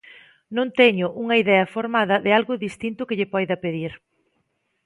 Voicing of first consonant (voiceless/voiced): voiced